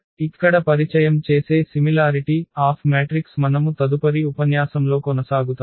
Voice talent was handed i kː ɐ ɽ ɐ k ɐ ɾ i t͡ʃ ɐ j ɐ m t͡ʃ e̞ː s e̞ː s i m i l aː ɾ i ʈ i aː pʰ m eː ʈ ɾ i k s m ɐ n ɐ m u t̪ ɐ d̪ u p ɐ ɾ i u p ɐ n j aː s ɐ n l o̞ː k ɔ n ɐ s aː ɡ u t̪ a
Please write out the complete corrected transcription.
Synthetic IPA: i kː ɐ ɽ ɐ p ɐ ɾ i t͡ʃ ɐ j ɐ m t͡ʃ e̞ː s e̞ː s i m i l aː ɾ i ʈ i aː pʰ m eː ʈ ɾ i k s m ɐ n ɐ m u t̪ ɐ d̪ u p ɐ ɾ i u p ɐ n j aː s ɐ m l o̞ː k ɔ n ɐ s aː ɡ u t̪ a